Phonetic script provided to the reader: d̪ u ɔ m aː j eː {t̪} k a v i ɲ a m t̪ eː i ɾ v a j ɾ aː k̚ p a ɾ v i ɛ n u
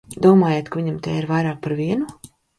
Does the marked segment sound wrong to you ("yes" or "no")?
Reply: no